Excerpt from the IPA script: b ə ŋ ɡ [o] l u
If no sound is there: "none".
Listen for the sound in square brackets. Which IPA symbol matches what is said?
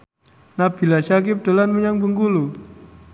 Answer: u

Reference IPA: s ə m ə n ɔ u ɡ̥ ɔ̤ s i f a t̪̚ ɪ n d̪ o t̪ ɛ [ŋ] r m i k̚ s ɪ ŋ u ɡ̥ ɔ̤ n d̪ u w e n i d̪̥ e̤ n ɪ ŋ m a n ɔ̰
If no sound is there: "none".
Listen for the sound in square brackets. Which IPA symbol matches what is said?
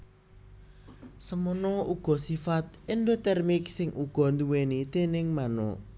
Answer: none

